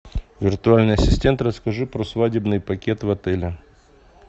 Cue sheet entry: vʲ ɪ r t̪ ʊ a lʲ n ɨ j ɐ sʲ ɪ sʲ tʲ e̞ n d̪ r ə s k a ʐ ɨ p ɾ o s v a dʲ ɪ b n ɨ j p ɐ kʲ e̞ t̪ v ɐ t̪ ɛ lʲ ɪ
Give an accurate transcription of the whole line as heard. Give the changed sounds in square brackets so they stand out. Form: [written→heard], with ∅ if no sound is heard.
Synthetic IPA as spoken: vʲ ɪ r t̪ ʊ a lʲ n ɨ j ɐ sʲ ɪ sʲ tʲ e̞ n [d̪→t̪] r ə s k [a→ɐ] ʐ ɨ p ɾ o s v a dʲ ɪ b n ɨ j p ɐ kʲ e̞ t̪ v ɐ t̪ ɛ lʲ ɪ